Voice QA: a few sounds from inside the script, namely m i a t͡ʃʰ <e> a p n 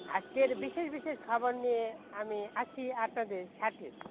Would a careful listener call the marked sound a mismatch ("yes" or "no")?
yes